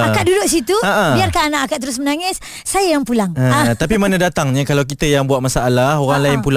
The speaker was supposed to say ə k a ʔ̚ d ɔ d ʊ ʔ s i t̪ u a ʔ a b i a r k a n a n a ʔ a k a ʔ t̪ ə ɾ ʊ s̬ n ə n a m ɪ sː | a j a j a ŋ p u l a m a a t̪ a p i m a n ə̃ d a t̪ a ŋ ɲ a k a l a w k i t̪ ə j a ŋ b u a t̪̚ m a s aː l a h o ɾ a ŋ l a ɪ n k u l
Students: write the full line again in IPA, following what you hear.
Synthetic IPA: a k a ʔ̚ d u d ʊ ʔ s i t̪ u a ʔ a b i a r k a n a n a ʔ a k a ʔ t̪ ə ɾ ʊ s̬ m ə n a ŋ ɪ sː | a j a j a ŋ p u l a ŋ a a t̪ a p i m a n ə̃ d a t̪ a ŋ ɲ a k a l a w k i t̪ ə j a ŋ b u a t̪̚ m a s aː l a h o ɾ a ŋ l a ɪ n p u l